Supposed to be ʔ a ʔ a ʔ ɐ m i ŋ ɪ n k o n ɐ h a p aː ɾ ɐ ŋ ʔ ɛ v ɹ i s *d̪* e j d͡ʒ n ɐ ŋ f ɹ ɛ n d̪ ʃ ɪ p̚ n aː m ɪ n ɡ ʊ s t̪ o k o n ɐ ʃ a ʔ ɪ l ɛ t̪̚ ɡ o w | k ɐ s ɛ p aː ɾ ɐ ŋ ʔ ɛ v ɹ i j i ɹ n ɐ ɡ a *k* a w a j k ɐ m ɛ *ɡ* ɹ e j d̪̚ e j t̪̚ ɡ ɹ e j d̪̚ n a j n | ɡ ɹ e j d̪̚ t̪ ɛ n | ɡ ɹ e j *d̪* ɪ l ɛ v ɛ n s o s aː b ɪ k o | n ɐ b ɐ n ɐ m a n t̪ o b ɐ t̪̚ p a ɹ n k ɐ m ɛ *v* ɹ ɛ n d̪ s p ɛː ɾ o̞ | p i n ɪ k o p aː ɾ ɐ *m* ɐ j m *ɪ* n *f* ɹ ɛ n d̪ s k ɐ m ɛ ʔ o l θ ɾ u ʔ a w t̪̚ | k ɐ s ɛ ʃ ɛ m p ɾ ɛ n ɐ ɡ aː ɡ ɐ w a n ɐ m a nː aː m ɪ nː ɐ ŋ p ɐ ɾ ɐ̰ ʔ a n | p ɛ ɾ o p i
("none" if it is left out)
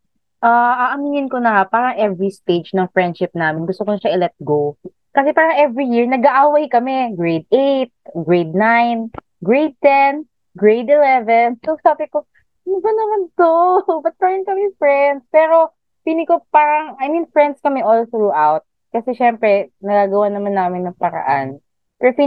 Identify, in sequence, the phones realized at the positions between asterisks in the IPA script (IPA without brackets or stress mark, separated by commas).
t̪, ʔ, ɡ, d̪, f, ŋ, i, f